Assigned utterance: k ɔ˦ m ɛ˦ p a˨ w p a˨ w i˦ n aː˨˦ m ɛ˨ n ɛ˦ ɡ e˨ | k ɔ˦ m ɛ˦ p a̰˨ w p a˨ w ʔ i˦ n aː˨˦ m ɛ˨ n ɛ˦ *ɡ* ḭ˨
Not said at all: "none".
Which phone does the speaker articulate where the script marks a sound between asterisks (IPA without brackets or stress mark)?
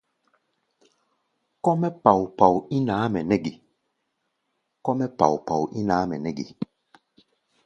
ɡ